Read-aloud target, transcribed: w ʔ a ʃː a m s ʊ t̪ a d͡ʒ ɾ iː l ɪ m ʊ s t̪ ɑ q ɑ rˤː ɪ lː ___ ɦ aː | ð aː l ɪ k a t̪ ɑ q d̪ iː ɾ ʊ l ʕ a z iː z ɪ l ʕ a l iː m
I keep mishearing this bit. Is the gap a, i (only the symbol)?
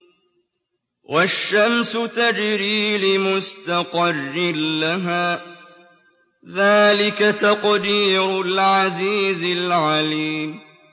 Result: a